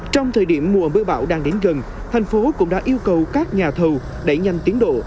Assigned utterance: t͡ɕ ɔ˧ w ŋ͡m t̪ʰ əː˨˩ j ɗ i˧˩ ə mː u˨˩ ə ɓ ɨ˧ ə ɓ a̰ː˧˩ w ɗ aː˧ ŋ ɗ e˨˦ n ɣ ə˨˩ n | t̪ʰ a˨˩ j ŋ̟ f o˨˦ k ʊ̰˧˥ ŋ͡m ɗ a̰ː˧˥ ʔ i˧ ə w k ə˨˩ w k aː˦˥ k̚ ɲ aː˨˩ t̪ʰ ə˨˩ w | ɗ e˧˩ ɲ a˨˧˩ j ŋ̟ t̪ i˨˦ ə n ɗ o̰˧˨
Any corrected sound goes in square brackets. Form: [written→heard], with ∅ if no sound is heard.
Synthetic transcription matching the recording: t͡ɕ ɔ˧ w ŋ͡m t̪ʰ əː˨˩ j ɗ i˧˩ ə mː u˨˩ ə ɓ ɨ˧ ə ɓ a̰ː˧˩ w ɗ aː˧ ŋ ɗ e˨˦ n ɣ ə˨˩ n | t̪ʰ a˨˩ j ŋ̟ f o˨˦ k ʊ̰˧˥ ŋ͡m ɗ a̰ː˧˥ ʔ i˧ ə w k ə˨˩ w k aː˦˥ k̚ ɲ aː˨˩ t̪ʰ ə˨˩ w | ɗ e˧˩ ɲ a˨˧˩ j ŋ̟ t̪ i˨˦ ə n ɗ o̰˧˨